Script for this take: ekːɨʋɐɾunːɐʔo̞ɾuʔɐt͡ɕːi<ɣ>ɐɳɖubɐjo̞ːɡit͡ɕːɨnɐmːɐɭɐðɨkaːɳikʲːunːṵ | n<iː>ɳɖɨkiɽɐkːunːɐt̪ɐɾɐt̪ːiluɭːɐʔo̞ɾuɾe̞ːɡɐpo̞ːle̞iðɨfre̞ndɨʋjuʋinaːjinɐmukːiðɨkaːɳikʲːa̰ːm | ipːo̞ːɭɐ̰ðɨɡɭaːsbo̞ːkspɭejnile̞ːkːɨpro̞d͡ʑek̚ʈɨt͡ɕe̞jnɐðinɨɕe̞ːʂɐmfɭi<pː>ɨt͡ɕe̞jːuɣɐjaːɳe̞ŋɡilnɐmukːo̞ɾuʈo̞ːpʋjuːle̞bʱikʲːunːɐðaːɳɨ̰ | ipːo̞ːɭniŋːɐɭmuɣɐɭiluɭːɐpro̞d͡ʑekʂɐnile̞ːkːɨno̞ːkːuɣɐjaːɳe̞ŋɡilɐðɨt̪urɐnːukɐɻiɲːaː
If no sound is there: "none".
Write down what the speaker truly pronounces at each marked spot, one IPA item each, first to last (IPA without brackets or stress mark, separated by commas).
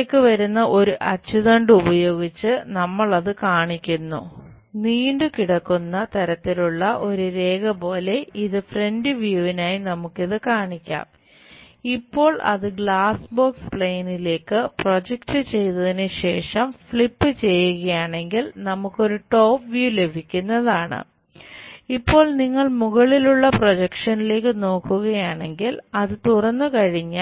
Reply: ð, iː, pː